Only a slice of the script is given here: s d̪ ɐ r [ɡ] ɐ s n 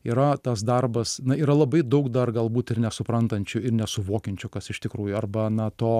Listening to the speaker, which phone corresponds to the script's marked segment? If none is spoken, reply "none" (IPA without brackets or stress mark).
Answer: b